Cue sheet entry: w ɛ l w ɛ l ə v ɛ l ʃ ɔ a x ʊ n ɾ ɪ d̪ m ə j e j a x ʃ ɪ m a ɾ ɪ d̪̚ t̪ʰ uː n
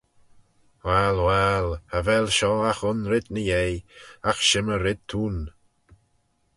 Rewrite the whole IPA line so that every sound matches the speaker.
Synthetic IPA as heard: w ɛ l w ɛ l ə v ɛ l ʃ ɔ a x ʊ n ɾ ɪ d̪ n ə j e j a x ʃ ɪ m ə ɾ ɪ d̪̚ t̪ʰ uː n